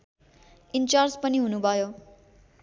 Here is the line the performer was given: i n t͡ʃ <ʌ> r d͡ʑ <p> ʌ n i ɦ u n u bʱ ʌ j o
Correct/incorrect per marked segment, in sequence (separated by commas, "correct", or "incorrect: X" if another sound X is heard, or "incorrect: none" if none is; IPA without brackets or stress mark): incorrect: a, correct